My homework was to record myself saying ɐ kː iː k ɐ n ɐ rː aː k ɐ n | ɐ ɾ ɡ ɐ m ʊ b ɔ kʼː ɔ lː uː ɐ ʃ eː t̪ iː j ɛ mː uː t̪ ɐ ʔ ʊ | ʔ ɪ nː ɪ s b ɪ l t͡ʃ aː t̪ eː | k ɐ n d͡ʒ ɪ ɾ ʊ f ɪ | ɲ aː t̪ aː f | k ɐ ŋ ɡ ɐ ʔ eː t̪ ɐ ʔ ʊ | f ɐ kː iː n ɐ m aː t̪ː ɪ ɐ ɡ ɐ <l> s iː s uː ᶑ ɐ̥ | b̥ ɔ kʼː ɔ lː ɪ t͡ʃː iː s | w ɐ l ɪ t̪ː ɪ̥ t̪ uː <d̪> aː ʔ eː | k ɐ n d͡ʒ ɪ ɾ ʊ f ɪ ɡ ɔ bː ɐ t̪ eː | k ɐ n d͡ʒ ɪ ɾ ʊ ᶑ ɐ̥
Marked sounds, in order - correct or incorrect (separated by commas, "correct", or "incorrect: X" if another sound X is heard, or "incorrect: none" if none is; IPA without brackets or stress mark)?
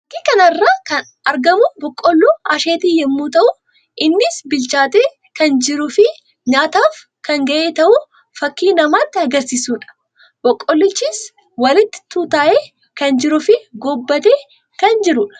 incorrect: ɾ, incorrect: t̪